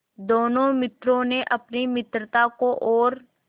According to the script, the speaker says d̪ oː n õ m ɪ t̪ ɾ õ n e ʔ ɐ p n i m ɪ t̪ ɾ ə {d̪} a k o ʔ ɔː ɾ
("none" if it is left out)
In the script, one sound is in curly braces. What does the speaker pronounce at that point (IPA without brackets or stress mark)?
t̪